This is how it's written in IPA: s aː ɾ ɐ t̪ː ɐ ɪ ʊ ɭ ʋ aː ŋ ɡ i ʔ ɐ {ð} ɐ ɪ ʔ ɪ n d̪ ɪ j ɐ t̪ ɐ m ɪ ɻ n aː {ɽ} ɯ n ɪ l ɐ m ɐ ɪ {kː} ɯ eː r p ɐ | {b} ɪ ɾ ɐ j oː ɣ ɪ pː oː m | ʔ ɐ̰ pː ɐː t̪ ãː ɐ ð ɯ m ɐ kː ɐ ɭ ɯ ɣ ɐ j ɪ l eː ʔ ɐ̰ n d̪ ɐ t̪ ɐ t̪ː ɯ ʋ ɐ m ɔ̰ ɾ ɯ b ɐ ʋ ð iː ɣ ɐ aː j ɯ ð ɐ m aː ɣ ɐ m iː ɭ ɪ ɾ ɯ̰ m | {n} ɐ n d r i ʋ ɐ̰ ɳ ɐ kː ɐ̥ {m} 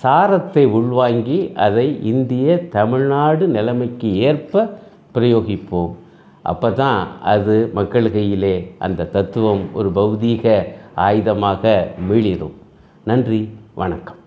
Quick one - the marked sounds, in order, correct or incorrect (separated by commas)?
correct, correct, correct, incorrect, correct, correct